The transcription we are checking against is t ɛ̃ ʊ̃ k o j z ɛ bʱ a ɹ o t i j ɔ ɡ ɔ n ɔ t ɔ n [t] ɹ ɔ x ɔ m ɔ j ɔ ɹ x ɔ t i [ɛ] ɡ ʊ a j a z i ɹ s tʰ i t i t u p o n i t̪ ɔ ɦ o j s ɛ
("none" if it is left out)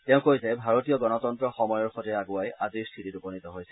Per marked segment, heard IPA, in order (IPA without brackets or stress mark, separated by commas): t, a